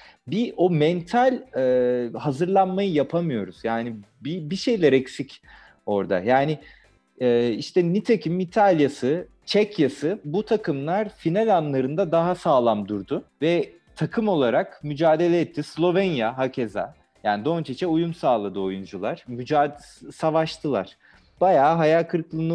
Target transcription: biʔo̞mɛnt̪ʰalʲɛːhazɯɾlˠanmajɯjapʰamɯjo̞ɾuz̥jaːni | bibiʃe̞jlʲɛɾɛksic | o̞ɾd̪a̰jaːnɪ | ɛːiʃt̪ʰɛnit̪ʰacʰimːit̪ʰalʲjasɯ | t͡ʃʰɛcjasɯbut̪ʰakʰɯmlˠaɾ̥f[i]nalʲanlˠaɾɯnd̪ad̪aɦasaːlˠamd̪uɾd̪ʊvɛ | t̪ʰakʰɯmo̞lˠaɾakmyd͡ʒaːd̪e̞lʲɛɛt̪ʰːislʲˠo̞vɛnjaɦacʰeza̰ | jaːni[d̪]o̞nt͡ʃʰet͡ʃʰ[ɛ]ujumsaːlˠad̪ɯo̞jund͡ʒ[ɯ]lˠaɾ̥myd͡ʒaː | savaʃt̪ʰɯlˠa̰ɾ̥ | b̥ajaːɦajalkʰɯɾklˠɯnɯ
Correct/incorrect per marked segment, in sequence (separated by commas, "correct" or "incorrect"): correct, correct, correct, incorrect